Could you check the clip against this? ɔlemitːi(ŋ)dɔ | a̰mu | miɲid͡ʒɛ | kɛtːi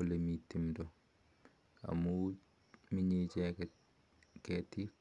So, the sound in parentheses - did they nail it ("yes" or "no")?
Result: no